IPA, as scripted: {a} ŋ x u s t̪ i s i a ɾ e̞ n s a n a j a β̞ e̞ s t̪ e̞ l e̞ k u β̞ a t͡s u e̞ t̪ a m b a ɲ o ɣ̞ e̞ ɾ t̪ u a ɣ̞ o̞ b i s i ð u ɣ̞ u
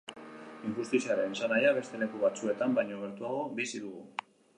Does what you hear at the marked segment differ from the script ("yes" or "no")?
yes